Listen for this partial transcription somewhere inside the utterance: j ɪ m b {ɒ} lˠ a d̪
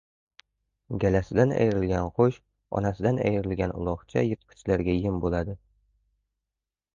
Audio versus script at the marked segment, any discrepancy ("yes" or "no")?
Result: yes